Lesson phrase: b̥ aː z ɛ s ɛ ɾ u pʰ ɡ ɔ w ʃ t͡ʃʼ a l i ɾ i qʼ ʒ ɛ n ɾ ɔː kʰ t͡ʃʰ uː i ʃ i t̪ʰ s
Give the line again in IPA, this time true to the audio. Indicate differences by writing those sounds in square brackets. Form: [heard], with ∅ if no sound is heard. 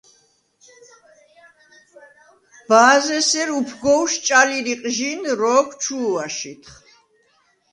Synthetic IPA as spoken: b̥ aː z ɛ s ɛ ɾ u pʰ ɡ ɔ w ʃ t͡ʃʼ a l i ɾ i qʼ ʒ [i] n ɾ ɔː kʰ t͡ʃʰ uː [a] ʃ i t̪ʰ [χ]

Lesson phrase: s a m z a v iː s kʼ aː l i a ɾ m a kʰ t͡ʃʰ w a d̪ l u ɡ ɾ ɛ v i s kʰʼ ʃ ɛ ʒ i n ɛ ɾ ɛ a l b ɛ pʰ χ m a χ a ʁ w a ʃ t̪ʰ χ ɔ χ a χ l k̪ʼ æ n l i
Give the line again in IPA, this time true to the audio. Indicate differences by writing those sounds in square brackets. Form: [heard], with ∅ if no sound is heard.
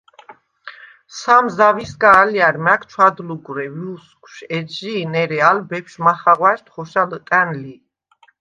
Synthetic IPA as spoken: s a m z a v [i] s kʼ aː l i a ɾ m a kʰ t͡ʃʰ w a d̪ l u ɡ ɾ ɛ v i s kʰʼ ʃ ɛ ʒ i n ɛ ɾ ɛ a l b ɛ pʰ [ʃ] m a χ a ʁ w a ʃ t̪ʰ χ ɔ [ʃ] a [∅] l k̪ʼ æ n l i

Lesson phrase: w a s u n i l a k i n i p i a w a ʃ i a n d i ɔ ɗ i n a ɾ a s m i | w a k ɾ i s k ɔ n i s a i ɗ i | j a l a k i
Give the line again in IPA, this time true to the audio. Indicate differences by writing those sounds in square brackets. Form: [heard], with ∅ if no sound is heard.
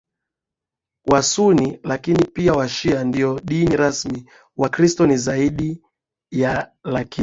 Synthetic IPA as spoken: w a s u n i l a k i n i p i a w a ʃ i a n d i ɔ ɗ i n [i] ɾ a s m i | w a k ɾ i s [t] ɔ n i [z] a i ɗ i | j a l a k i

